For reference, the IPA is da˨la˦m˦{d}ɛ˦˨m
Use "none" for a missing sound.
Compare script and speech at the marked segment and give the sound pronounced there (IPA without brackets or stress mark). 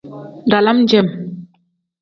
d͡ʒ